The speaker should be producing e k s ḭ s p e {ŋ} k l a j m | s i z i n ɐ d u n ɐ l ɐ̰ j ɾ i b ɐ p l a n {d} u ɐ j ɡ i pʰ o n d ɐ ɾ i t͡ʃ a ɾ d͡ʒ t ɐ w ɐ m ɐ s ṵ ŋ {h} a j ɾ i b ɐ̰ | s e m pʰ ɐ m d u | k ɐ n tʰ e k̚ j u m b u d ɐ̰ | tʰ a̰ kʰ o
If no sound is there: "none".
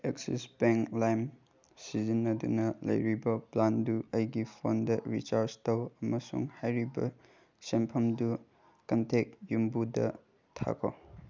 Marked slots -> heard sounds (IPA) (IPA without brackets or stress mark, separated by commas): ŋ, d, h